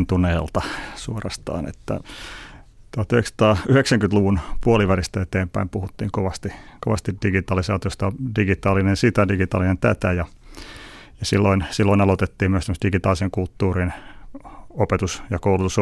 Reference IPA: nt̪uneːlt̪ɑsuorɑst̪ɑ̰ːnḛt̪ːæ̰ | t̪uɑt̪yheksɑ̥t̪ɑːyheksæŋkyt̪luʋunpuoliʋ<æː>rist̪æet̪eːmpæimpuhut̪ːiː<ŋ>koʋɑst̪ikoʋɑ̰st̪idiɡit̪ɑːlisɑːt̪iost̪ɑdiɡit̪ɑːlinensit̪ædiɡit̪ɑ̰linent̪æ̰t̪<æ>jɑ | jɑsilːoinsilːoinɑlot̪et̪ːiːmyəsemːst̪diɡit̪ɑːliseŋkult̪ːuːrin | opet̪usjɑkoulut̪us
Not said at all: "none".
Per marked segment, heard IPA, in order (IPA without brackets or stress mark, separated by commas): æ, ŋ, æ